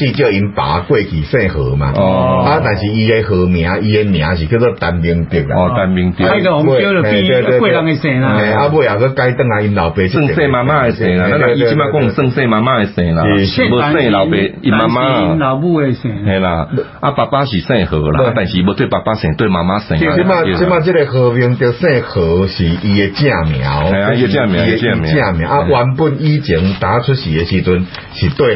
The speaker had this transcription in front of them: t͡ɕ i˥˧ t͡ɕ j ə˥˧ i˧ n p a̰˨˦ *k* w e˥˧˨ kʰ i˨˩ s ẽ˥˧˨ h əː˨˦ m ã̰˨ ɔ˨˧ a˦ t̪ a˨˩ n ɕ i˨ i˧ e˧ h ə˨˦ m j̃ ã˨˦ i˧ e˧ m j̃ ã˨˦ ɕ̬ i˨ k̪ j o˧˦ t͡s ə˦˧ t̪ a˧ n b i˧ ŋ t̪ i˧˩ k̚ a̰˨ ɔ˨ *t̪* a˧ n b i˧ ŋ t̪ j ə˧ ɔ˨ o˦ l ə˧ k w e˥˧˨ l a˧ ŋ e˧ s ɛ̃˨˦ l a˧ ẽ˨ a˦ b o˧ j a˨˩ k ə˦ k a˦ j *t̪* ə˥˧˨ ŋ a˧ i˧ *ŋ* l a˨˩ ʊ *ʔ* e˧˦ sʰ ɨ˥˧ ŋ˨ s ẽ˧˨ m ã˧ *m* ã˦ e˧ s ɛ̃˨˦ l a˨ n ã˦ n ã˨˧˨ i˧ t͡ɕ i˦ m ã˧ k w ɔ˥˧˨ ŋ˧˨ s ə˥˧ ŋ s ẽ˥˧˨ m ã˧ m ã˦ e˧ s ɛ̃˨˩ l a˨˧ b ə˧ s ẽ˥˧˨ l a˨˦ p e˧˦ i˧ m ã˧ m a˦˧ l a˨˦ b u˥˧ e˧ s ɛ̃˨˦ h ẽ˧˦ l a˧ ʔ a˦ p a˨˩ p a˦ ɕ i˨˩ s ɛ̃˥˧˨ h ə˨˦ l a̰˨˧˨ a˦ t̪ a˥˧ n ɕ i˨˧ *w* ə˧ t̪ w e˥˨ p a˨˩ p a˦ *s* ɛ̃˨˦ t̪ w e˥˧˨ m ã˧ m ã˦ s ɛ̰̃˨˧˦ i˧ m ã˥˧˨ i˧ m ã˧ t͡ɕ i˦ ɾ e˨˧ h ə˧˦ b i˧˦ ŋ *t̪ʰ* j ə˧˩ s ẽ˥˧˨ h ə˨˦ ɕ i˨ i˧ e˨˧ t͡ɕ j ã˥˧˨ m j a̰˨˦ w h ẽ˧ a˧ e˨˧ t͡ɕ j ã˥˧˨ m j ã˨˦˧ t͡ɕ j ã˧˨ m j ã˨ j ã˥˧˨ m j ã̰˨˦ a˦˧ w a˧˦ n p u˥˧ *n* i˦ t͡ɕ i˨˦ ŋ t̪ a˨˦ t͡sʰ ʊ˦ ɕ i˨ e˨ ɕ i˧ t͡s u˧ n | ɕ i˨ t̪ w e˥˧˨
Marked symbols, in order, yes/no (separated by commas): yes, yes, yes, no, no, yes, no, yes, no, yes